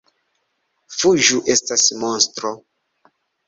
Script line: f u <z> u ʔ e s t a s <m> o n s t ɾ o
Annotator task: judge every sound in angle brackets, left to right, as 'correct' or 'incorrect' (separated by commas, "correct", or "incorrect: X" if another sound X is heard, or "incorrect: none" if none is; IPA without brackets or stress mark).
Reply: incorrect: ʒ, correct